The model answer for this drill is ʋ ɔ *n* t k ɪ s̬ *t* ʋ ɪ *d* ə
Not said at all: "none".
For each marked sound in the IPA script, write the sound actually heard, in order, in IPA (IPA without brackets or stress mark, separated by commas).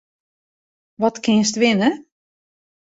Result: none, t, n